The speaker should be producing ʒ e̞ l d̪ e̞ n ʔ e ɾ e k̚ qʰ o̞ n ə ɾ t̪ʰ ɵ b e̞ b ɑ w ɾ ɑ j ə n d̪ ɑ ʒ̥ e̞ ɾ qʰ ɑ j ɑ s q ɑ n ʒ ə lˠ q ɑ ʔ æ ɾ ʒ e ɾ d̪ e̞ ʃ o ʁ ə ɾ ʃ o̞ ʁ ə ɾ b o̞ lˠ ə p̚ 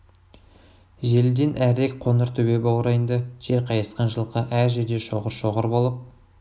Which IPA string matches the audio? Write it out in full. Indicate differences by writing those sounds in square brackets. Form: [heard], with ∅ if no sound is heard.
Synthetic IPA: ʒ e̞ l d̪ e̞ n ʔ [æ] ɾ e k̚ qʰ o̞ n ə ɾ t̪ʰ ɵ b e̞ b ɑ w ɾ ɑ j ə n d̪ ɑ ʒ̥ e̞ ɾ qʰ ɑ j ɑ s q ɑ n ʒ ə lˠ q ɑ ʔ æ ɾ ʒ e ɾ d̪ e̞ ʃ o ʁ ə ɾ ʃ o̞ ʁ ə ɾ b o̞ lˠ ə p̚